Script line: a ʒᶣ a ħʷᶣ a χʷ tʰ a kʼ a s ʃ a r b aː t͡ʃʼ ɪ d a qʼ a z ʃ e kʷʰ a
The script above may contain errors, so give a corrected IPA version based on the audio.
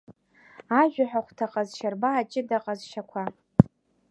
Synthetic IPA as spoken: a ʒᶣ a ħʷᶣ a χʷ tʰ a qʼ a z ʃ a r b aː t͡ʃʼ ɪ d a qʼ a z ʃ a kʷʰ a